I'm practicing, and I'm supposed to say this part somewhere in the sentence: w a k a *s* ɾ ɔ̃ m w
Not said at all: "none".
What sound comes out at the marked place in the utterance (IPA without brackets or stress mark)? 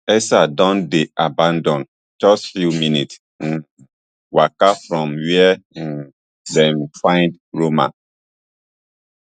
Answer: f